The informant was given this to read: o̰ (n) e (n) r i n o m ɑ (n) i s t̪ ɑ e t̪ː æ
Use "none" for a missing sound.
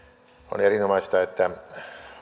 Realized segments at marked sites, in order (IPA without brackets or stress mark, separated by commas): n, none, none